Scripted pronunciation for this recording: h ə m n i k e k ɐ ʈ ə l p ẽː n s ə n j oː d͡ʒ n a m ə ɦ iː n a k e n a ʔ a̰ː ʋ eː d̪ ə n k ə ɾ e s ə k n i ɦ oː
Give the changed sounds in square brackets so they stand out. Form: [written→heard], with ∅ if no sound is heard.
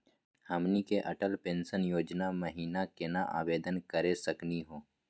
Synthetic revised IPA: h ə m n i k e [k→ʔ] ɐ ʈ ə l p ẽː n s ə n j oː d͡ʒ n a m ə ɦ iː n a k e n a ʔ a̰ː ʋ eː d̪ ə n k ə ɾ e s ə k n i ɦ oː

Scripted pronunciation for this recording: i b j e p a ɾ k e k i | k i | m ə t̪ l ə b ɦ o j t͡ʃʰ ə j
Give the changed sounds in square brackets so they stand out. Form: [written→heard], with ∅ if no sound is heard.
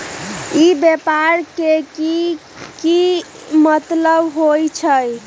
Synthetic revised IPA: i b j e p a ɾ k e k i | k i | m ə t̪ l ə b ɦ o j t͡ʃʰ ə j

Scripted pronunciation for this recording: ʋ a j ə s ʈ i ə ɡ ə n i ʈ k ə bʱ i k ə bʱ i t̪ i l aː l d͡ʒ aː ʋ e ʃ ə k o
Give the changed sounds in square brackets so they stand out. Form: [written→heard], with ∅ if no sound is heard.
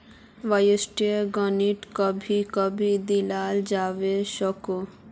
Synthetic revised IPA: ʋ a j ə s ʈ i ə ɡ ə n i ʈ k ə bʱ i k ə bʱ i [t̪→d̪] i l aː l d͡ʒ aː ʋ e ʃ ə k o

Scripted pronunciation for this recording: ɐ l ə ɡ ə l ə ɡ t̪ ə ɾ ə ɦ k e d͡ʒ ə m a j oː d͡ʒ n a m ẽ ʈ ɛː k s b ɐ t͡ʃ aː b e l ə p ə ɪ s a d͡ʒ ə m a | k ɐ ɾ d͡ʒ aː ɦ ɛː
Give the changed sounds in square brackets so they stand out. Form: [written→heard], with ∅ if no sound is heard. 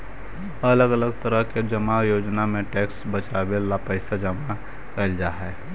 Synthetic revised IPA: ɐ l ə ɡ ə l ə ɡ t̪ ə ɾ ə ɦ k e d͡ʒ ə m a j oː d͡ʒ n a m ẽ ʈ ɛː k s b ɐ t͡ʃ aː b e l [ə→a] p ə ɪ s a d͡ʒ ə m a | k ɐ [ɾ→l] d͡ʒ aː ɦ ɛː

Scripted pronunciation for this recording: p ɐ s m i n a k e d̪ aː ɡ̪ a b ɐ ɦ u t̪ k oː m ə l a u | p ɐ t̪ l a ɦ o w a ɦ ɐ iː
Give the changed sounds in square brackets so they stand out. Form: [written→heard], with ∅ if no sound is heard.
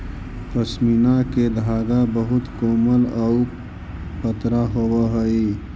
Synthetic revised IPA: p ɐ s m i n a k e d̪ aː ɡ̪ a b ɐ ɦ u t̪ k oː m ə l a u | p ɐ t̪ [l→ɾ] a ɦ o w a ɦ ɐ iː

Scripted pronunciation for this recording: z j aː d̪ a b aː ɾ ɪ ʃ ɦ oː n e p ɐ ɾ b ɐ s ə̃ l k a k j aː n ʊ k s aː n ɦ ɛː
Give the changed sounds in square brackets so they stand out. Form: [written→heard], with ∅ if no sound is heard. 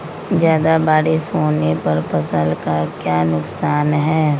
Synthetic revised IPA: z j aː d̪ a b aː ɾ ɪ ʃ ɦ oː n e p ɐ ɾ [b→p] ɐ s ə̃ l k a k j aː n ʊ k s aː n ɦ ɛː

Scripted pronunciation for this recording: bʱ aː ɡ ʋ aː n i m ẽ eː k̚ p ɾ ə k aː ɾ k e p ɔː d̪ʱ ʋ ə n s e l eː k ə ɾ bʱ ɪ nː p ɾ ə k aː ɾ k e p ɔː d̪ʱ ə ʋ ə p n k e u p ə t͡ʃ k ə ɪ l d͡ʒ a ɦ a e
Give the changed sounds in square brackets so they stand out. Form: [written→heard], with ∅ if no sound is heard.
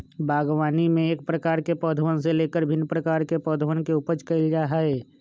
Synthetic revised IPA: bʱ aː ɡ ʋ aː n i m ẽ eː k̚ p ɾ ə k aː ɾ k e p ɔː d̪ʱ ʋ ə n s e l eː k ə ɾ bʱ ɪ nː p ɾ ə k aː ɾ k e p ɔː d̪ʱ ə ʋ ə [p→∅] n k e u p ə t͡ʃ k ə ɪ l d͡ʒ a ɦ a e

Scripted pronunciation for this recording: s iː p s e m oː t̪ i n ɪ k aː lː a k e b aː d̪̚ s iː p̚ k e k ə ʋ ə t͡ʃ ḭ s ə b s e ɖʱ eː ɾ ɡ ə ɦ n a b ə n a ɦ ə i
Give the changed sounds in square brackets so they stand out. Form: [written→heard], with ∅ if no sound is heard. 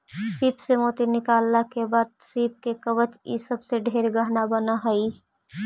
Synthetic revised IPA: s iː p s e m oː t̪ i n ɪ k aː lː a k e b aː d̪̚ s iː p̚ k e k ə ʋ ə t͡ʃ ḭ s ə b s e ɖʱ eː ɾ ɡ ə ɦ n a b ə n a ɦ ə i

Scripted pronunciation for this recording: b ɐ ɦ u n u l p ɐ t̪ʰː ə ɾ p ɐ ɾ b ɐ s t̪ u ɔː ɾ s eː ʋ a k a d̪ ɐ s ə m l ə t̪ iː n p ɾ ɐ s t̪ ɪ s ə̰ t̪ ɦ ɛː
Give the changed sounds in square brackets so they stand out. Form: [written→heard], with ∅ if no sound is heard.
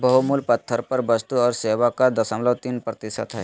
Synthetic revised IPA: b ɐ ɦ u [n→m] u l p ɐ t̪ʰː ə ɾ p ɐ ɾ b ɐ s t̪ u ɔː ɾ s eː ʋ a k a d̪ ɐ s ə m l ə t̪ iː n p ɾ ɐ [s→∅] t̪ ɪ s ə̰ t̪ ɦ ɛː

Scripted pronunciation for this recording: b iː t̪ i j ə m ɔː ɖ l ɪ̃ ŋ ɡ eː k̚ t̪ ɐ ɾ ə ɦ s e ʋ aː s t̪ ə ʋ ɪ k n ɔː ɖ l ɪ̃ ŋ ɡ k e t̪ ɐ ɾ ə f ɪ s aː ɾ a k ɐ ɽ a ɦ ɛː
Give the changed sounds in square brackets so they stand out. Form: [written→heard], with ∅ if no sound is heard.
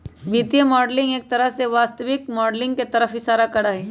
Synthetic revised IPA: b iː t̪ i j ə m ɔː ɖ l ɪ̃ ŋ ɡ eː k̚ t̪ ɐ ɾ ə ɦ s e ʋ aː s t̪ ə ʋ ɪ k [n→m] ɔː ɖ l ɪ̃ ŋ ɡ k e t̪ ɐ ɾ ə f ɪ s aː ɾ a k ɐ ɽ a ɦ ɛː

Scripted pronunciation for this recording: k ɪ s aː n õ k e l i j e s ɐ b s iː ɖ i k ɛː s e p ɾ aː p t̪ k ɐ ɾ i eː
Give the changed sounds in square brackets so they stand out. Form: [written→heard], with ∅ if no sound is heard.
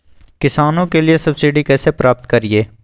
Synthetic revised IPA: k ɪ s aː n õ k e l i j e s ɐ b s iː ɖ i k ɛː s e p ɾ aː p t̪ k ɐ ɾ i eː

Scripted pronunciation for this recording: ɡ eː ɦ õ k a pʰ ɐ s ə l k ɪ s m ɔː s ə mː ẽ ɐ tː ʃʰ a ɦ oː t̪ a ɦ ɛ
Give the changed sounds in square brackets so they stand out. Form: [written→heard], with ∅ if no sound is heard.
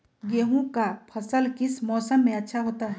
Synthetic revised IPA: ɡ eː ɦ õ k a pʰ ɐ s ə l k ɪ s m ɔː s ə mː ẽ ɐ tː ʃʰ a ɦ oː t̪ a ɦ ɛ

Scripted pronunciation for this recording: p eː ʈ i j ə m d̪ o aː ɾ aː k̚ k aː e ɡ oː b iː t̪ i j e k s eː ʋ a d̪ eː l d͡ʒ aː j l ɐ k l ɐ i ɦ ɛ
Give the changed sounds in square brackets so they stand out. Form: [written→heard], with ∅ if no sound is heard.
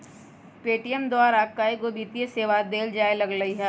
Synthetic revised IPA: p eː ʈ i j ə m d̪ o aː ɾ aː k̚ k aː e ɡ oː b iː t̪ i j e [k→∅] s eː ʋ a d̪ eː l d͡ʒ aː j l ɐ [k→ɡ] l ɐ i ɦ ɛ

